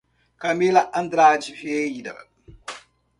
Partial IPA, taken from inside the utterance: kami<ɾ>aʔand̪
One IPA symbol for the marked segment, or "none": l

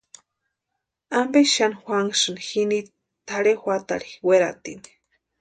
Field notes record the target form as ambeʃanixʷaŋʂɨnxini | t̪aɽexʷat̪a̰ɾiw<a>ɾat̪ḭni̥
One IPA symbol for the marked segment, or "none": e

